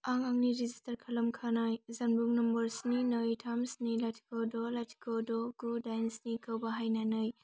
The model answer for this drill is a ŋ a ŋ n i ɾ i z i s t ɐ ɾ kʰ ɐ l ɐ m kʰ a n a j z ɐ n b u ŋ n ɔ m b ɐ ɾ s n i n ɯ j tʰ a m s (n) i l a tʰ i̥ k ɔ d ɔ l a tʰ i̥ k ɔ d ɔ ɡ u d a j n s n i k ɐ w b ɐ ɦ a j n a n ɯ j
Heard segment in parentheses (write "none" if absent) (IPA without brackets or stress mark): n